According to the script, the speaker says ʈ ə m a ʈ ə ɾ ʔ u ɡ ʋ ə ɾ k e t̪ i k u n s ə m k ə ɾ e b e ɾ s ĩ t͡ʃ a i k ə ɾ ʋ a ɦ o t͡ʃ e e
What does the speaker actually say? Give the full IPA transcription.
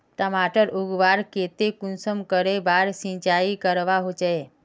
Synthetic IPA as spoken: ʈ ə m a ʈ ə ɾ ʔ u ɡ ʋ a ɾ k e t̪ e k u n s ə m k ə ɾ e b a ɾ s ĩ t͡ʃ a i k ə ɾ ʋ a ɦ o t͡ʃ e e